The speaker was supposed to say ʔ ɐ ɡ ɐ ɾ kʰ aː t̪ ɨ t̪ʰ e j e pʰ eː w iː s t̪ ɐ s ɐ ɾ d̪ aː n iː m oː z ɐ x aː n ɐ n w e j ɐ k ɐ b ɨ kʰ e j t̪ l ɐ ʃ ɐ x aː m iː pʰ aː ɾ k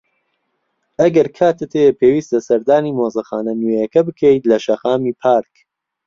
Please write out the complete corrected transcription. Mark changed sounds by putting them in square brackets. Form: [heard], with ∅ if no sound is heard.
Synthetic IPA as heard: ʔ ɐ ɡ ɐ ɾ kʰ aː t̪ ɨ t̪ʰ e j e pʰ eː w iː s t̪ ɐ s ɐ ɾ d̪ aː n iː m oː z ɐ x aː n ɐ n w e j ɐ k ɐ b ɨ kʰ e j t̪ l ɐ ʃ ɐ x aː m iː pʰ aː ɾ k